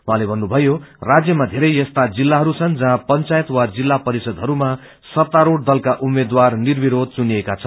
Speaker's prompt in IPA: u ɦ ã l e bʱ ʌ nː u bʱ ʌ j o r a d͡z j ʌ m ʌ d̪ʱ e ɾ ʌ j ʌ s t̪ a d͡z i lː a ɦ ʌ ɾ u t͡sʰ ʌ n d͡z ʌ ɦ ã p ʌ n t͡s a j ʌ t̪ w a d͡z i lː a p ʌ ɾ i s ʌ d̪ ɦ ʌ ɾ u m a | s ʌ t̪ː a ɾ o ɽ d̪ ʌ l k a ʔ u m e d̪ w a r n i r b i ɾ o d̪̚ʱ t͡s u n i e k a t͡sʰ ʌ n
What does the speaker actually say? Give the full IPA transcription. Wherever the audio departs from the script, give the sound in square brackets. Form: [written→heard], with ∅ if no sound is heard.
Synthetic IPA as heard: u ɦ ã l e bʱ ʌ nː u bʱ ʌ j o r a d͡z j ʌ m [ʌ→a] d̪ʱ e ɾ ʌ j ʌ s t̪ a d͡z i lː a ɦ ʌ ɾ u t͡sʰ ʌ n d͡z ʌ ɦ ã p ʌ n t͡s a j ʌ t̪ w a d͡z i lː a p ʌ ɾ i s ʌ d̪ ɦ ʌ ɾ u m a | s ʌ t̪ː a ɾ o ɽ d̪ ʌ l k a ʔ u m e d̪ w a r n i r b i ɾ o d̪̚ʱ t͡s u n i e k a t͡sʰ ʌ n